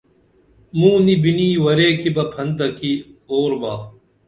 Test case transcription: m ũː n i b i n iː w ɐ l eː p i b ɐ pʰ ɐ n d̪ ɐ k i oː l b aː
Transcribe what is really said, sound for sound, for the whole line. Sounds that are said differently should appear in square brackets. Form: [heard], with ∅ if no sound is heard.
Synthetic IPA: m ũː n i b i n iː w ɐ [ɾ] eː [k] i b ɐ pʰ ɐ n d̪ ɐ k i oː [ɾ] b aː